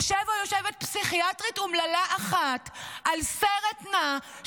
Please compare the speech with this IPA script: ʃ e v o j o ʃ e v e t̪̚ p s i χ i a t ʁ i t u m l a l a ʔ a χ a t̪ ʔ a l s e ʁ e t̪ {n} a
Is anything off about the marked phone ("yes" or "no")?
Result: no